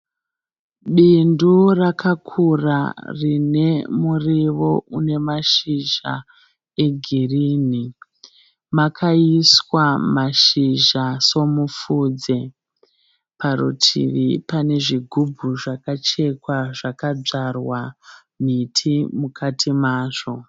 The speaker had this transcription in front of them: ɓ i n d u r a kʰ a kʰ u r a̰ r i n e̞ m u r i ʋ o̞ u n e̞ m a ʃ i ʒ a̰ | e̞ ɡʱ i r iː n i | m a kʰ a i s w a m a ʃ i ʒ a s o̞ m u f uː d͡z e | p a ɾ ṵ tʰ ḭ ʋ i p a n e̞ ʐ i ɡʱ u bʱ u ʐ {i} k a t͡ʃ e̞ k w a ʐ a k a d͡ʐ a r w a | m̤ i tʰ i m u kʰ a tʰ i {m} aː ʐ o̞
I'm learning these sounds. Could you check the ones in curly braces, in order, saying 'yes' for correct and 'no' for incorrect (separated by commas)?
no, yes